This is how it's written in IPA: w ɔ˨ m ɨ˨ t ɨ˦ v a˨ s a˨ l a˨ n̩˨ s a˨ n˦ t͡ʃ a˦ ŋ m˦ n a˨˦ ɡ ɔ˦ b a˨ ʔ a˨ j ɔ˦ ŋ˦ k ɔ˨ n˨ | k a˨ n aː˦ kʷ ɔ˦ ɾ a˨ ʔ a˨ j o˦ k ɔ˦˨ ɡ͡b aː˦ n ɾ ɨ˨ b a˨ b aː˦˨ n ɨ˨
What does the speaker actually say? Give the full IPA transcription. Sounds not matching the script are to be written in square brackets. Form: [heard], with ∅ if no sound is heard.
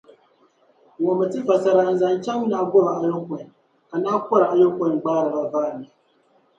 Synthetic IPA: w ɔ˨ m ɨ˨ t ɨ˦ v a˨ s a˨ [ɾ] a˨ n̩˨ [z] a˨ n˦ t͡ʃ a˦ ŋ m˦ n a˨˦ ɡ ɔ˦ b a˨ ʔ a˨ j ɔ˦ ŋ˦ k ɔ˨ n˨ | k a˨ n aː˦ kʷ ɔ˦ ɾ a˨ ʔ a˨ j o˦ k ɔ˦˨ ɡ͡b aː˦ [∅] ɾ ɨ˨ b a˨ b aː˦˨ n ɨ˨